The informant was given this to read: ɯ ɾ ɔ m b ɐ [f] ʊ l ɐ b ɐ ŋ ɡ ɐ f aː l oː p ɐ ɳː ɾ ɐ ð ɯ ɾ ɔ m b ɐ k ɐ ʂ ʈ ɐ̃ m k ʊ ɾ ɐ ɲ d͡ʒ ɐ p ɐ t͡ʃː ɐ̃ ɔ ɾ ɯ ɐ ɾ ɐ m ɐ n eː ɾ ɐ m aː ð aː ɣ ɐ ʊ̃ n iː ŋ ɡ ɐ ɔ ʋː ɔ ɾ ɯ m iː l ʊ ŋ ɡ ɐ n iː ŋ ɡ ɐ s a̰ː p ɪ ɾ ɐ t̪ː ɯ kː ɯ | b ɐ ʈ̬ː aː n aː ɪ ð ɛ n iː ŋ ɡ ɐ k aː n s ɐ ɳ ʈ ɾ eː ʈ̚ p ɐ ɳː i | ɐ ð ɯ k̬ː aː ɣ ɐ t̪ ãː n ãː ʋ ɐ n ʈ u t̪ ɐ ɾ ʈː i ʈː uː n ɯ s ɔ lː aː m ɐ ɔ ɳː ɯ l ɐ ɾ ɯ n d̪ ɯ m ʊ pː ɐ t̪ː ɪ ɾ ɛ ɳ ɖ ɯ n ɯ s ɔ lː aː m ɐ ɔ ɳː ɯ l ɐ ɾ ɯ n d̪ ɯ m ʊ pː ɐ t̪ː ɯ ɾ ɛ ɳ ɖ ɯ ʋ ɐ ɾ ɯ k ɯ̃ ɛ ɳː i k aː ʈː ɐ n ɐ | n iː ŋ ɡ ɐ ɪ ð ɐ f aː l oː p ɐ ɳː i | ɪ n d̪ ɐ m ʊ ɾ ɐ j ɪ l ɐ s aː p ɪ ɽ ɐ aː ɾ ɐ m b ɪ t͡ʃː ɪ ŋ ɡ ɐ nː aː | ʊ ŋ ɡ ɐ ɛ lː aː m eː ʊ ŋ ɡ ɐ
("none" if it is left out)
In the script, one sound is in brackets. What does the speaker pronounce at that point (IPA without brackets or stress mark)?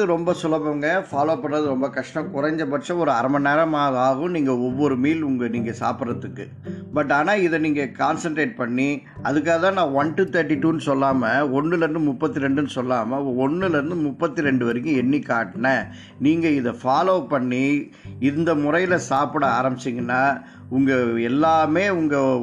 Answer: s